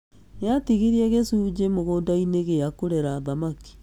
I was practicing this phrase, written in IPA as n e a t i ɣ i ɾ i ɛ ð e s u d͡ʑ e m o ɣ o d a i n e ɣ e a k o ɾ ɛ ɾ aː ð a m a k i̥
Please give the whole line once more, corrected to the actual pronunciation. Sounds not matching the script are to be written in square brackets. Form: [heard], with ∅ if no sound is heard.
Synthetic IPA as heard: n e a t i ɣ i ɾ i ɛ [ɣ] e s u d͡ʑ e m o ɣ o d a i n e ɣ e a k o ɾ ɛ ɾ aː ð a m a k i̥